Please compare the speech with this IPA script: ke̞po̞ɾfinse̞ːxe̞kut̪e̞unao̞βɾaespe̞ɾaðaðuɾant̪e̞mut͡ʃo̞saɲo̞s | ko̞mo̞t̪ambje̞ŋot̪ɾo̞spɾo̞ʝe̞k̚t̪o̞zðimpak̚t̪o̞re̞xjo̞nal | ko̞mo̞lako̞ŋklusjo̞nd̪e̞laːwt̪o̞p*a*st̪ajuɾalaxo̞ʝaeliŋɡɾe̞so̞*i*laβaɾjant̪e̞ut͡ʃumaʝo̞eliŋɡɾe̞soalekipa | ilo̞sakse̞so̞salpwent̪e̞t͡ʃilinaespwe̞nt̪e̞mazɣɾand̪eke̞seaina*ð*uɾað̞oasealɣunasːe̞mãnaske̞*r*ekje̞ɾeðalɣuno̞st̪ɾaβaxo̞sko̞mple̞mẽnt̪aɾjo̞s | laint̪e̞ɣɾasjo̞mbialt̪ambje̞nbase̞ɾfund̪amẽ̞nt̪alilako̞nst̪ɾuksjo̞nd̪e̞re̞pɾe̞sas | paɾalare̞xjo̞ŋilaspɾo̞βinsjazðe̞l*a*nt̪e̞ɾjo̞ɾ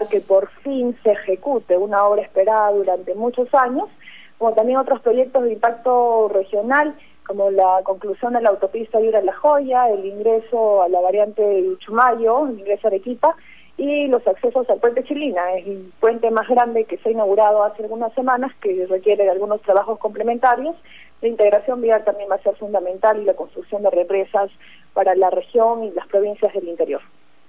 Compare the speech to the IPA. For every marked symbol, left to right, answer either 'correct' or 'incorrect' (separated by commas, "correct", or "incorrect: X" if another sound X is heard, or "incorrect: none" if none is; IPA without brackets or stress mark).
incorrect: i, incorrect: a, incorrect: ɣ, correct, incorrect: i